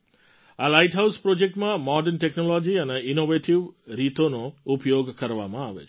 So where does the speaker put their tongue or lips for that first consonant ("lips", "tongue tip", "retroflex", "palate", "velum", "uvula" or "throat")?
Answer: tongue tip